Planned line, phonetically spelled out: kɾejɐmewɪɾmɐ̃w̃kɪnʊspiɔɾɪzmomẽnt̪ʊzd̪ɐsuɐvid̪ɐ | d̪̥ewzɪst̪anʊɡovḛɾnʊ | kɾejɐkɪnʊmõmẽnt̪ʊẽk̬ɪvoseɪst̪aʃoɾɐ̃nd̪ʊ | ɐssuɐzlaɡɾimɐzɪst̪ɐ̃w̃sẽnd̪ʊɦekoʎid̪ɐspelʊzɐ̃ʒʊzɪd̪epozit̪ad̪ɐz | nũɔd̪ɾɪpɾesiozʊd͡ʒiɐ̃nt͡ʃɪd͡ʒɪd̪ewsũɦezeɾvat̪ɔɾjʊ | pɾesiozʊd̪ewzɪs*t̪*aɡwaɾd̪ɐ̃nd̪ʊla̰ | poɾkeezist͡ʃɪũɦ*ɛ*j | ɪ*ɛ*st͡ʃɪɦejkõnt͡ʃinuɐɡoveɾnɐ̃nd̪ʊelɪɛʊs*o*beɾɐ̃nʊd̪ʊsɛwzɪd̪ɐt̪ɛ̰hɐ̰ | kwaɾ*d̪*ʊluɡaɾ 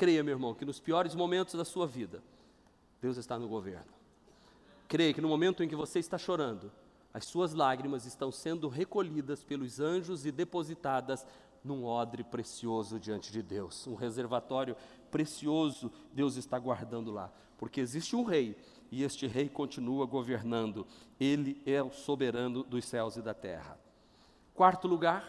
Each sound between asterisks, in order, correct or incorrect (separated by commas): correct, incorrect, incorrect, correct, incorrect